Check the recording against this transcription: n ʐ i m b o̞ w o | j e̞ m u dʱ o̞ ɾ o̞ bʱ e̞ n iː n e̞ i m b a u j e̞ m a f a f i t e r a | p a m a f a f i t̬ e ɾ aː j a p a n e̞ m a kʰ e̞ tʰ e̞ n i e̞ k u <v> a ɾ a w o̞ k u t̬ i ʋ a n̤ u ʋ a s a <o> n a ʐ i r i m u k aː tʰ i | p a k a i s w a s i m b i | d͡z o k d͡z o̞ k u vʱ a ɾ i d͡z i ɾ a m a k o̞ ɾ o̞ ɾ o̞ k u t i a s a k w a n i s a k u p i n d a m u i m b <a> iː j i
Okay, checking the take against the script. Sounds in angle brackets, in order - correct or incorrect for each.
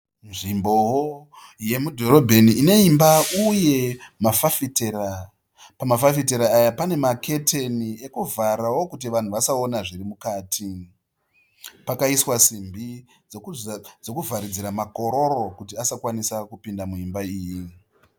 correct, correct, correct

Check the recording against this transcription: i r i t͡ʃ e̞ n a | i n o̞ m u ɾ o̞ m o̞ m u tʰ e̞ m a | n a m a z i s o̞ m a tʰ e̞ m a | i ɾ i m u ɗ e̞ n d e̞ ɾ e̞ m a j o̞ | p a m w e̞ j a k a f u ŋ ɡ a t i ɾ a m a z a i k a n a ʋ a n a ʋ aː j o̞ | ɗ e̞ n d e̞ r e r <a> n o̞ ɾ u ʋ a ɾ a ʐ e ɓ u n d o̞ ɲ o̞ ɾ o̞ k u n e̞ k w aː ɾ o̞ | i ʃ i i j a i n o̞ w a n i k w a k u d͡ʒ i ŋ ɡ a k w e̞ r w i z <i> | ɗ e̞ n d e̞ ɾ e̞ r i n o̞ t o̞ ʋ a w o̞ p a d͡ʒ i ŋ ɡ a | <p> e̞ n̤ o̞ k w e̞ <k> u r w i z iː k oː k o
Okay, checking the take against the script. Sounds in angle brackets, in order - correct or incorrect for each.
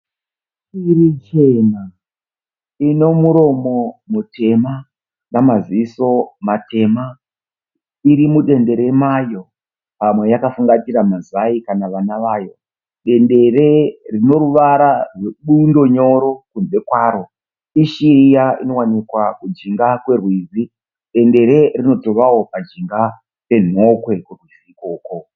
incorrect, correct, correct, correct

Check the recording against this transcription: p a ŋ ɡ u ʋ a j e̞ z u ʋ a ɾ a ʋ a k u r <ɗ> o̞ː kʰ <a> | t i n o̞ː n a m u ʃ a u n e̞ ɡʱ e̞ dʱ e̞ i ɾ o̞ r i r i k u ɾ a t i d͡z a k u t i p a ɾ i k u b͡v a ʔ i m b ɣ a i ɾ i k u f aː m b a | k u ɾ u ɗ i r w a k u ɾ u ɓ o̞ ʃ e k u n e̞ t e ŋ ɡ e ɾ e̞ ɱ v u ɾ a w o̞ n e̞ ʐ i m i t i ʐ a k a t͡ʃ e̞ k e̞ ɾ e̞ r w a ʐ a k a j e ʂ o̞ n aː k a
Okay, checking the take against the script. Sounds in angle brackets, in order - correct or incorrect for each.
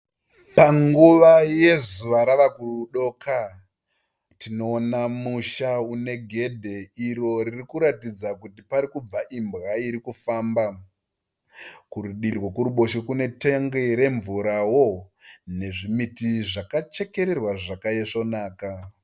correct, correct

